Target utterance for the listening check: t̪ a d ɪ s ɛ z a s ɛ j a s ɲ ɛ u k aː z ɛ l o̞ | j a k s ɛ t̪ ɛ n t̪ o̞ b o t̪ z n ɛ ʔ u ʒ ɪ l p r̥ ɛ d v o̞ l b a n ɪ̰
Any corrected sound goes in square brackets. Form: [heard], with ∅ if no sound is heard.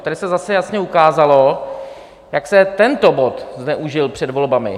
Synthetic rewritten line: t̪ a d ɪ s ɛ z a s ɛ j a s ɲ ɛ u k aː z [a] l o̞ | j a k s ɛ t̪ ɛ n t̪ o̞ b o t̪ z n ɛ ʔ u ʒ ɪ l p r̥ ɛ d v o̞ l b a [m] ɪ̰